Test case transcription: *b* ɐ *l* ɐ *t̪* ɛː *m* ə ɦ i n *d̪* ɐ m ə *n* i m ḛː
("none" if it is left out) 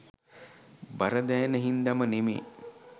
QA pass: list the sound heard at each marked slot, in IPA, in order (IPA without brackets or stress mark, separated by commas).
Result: b, ɾ, d̪, n, d̪, n